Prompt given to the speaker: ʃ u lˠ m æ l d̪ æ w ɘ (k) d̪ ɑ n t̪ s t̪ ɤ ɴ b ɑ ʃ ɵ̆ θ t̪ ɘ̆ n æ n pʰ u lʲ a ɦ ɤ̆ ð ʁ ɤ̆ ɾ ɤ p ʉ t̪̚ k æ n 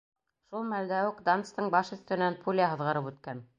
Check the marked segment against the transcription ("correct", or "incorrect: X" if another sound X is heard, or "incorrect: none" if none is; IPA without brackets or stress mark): correct